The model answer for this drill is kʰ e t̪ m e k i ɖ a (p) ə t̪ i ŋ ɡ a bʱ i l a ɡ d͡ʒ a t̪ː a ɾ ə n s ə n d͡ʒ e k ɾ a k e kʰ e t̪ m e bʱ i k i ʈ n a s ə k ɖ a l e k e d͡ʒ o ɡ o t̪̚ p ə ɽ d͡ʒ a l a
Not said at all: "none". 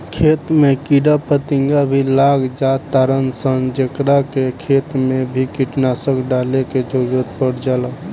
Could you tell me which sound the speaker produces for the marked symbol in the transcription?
p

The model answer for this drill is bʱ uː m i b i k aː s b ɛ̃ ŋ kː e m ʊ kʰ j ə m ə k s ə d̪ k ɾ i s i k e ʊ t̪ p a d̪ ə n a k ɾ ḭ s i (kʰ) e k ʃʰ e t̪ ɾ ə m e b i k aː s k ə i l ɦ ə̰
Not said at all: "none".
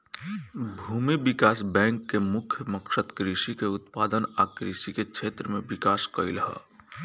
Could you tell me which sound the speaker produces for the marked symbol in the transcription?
k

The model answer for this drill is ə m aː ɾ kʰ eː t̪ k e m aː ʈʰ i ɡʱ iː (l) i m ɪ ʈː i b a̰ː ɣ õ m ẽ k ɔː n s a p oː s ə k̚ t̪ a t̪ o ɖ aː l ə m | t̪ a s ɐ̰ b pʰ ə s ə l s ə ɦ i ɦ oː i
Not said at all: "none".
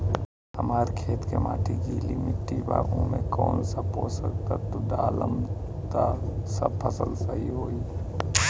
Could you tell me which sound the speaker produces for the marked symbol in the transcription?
l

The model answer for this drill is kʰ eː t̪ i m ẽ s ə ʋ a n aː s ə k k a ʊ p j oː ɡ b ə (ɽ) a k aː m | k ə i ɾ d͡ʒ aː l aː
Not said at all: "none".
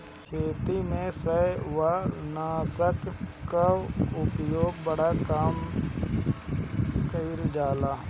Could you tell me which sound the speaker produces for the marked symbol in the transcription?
ɽ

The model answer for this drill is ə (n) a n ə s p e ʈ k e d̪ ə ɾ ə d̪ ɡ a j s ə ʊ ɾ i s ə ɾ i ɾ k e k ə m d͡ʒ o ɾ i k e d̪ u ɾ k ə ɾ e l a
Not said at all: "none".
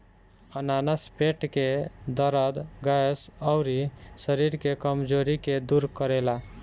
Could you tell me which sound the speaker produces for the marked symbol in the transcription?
n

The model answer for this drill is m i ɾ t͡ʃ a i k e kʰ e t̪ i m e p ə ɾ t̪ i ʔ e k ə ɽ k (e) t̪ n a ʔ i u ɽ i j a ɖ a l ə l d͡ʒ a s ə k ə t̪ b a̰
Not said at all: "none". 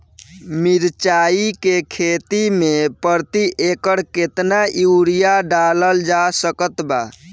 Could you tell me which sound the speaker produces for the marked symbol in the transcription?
e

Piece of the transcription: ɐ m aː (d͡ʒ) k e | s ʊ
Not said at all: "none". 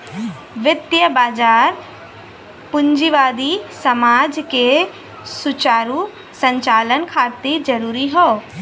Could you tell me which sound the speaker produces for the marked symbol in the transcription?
d͡ʒ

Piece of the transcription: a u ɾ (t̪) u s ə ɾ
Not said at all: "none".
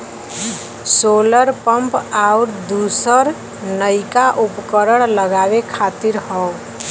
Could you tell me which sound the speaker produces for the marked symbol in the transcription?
d̪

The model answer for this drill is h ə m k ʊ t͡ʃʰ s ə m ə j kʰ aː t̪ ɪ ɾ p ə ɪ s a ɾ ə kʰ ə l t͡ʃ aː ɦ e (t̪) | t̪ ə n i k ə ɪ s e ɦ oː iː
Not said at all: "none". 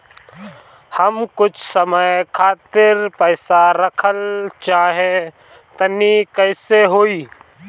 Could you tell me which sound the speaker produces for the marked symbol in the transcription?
none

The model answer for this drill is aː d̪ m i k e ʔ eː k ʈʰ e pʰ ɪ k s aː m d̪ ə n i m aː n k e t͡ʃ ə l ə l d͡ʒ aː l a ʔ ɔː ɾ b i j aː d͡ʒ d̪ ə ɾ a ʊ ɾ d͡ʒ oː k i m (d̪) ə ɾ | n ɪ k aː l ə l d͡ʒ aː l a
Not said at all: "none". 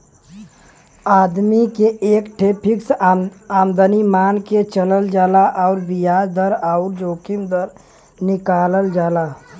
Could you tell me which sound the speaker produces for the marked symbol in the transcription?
d̪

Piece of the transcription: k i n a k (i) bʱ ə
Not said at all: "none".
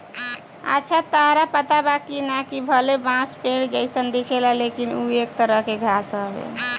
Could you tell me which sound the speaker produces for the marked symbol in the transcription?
i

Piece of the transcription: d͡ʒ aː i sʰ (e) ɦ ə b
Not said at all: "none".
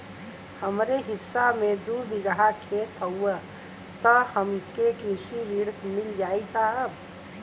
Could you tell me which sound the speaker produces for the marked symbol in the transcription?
a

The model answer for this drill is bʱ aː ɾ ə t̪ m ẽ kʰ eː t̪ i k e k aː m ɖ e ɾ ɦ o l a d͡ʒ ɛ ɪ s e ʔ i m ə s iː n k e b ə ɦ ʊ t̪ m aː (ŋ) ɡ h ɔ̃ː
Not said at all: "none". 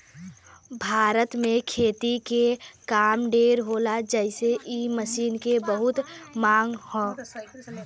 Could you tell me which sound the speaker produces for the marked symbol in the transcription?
ŋ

